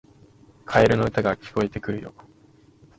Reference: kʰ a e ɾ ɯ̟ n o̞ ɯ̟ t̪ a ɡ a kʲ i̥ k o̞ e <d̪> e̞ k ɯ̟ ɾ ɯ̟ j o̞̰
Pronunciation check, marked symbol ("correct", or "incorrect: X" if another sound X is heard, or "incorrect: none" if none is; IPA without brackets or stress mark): incorrect: t̪